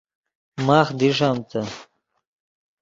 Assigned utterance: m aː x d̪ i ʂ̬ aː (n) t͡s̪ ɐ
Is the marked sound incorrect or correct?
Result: incorrect